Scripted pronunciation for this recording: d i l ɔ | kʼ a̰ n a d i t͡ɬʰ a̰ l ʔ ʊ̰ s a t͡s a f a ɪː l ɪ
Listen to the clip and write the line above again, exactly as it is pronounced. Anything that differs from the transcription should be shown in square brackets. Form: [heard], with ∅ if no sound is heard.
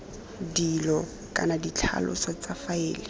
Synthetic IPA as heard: d i l ɔ | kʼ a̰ n a d i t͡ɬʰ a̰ l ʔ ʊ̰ s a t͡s a f a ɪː l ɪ